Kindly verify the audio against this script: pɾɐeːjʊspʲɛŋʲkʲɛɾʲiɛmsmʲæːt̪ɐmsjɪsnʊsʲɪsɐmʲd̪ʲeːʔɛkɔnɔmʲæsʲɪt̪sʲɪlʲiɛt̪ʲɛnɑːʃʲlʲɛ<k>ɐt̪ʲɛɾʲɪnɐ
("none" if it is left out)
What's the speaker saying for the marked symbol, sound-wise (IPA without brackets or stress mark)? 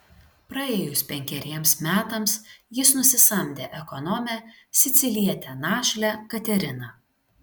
k